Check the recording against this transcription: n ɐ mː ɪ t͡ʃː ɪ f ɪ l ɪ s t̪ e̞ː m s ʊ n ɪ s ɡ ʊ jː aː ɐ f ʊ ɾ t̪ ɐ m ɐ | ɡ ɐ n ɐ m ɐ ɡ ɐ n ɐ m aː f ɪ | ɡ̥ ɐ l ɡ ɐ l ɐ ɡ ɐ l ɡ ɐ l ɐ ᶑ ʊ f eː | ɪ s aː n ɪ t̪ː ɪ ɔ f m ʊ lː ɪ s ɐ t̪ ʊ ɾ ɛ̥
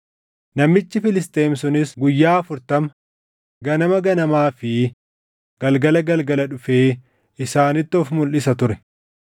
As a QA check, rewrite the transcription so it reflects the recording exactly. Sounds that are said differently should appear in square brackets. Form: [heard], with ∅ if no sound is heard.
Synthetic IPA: n ɐ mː ɪ t͡ʃː ɪ f ɪ l ɪ s t̪ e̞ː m s ʊ n ɪ s ɡ ʊ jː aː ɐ f ʊ ɾ t̪ ɐ m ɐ | ɡ ɐ n ɐ m ɐ ɡ ɐ n ɐ m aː f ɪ | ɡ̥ ɐ l ɡ ɐ l ɐ ɡ ɐ l ɡ ɐ l ɐ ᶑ ʊ f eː | ɪ s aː n ɪ t̪ː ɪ ɔ f m ʊ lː ɪ s ɐ t̪ ʊ ɾ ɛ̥